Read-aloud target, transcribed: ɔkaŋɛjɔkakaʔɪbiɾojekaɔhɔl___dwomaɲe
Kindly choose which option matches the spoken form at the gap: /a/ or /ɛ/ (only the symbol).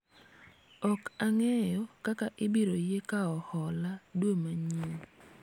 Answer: a